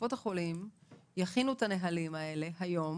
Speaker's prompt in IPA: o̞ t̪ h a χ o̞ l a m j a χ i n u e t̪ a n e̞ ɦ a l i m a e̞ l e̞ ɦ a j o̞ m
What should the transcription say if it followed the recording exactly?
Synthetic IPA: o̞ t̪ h a χ o̞ l i m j a χ i n u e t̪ a n e̞ ɦ a l i m a e̞ l e̞ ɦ a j o̞ m